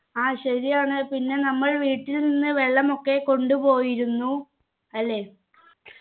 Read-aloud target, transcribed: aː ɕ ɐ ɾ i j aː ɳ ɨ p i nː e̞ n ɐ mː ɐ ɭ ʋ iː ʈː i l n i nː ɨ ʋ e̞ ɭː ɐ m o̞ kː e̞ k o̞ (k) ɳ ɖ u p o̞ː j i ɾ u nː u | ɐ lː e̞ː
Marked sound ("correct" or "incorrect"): incorrect